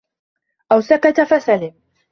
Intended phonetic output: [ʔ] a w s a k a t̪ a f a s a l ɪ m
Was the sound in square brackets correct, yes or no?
yes